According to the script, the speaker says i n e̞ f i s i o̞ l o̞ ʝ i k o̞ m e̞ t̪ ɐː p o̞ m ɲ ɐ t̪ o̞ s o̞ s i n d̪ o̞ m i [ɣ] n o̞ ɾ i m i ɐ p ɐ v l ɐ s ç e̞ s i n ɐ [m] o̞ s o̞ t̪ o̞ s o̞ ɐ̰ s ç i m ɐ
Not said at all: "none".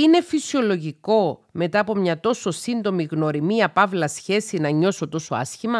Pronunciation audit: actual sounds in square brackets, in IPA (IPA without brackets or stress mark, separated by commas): ɣ, ɲ